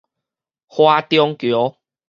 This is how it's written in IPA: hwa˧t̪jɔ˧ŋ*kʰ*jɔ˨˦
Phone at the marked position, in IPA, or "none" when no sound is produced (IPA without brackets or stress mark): k